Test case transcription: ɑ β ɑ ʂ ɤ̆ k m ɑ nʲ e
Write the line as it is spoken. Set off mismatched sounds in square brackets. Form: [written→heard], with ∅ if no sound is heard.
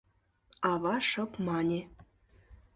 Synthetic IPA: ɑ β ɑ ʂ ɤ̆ [k→p] m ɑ nʲ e